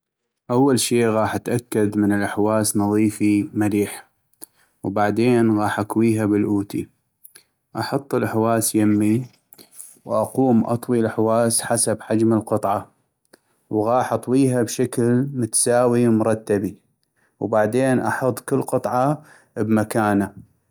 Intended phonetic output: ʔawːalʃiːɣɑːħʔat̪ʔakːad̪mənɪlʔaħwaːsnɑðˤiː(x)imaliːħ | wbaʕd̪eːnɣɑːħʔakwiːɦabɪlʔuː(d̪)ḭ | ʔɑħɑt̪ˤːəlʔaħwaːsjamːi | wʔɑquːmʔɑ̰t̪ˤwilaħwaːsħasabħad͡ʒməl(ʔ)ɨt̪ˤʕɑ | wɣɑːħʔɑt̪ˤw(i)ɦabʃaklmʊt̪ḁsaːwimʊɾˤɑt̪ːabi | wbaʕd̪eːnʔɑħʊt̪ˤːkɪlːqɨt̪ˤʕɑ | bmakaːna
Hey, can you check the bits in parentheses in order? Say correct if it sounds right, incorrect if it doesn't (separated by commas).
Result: incorrect, incorrect, incorrect, incorrect